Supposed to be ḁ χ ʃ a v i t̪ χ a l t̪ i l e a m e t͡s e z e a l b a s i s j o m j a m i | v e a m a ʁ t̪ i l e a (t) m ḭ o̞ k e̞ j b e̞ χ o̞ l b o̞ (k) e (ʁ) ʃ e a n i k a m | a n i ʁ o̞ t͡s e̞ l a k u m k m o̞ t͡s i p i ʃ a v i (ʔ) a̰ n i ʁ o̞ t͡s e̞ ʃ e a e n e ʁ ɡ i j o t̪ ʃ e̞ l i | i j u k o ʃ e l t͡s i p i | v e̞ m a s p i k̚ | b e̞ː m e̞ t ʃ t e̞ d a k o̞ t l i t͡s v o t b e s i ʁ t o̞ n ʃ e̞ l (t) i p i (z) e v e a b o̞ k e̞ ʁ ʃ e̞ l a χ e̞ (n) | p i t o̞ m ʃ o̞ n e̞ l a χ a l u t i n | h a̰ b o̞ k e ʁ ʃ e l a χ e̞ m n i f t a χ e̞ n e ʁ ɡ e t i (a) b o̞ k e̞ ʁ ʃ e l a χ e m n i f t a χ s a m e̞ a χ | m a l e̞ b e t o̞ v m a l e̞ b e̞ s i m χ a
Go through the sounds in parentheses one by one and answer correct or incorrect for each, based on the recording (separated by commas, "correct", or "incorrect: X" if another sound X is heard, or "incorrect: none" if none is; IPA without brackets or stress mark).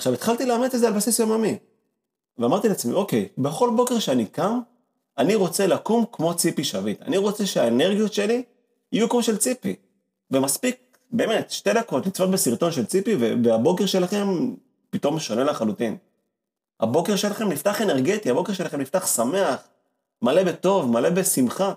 incorrect: t͡s, correct, correct, incorrect: t, incorrect: t͡s, incorrect: v, incorrect: m, correct